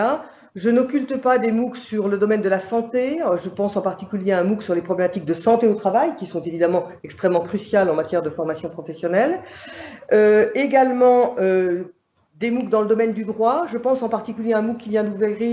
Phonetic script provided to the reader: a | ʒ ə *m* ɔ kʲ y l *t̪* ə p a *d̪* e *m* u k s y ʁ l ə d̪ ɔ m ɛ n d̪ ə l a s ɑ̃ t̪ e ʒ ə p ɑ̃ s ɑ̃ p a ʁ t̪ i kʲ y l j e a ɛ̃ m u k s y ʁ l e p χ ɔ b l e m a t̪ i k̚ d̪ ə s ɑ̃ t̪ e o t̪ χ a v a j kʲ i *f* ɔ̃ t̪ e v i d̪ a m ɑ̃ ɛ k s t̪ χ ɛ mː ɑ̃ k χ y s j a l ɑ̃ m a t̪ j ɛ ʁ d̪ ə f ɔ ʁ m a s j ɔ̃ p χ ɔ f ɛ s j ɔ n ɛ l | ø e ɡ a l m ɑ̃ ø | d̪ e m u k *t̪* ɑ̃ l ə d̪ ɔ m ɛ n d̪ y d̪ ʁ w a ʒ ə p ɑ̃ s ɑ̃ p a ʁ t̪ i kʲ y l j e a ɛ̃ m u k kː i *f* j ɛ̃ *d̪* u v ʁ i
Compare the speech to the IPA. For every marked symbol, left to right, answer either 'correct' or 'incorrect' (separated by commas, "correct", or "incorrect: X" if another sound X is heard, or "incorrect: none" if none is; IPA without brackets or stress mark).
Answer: incorrect: n, correct, correct, correct, incorrect: s, incorrect: d̪, incorrect: v, correct